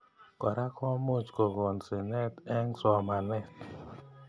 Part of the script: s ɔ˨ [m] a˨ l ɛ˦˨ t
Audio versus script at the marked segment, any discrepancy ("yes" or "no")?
no